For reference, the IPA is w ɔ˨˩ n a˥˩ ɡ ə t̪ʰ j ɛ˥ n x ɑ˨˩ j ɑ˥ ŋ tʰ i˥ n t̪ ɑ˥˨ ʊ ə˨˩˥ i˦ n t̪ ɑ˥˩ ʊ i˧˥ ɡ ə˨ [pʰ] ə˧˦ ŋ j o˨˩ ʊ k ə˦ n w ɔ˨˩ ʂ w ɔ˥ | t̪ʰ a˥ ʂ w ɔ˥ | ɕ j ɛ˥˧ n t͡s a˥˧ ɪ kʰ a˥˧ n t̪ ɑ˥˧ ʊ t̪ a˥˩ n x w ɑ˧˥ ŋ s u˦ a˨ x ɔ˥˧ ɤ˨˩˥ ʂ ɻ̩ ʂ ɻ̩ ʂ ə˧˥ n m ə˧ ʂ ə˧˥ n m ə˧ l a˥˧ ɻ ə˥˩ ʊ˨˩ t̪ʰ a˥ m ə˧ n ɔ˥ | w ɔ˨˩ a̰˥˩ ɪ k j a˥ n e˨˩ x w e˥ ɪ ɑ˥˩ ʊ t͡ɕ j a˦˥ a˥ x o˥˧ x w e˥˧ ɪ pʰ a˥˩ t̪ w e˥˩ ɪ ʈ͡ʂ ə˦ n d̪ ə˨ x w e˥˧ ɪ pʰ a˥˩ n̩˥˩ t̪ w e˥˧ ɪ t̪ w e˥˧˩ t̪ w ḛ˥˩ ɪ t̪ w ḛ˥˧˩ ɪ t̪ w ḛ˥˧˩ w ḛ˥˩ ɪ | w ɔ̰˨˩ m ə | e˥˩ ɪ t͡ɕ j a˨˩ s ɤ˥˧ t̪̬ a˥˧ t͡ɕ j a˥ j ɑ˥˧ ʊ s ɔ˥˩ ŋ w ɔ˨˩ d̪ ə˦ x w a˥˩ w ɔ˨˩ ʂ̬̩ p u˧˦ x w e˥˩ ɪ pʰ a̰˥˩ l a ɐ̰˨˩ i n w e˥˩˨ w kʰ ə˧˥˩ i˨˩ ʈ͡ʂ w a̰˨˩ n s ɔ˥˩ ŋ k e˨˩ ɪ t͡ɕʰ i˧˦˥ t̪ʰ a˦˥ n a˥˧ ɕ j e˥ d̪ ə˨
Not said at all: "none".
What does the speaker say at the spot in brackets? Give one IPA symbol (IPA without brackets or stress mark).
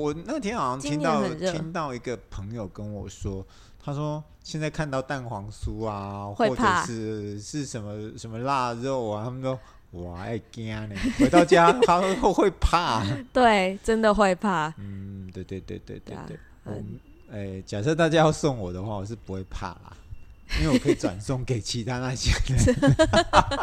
pʰ